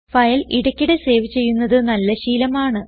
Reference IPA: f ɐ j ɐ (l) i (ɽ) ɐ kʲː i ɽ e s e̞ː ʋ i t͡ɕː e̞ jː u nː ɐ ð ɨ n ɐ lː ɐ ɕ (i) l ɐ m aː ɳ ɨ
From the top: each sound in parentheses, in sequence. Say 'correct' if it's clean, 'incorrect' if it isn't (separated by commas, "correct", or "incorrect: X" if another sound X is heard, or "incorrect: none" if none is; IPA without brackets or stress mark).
correct, correct, incorrect: iː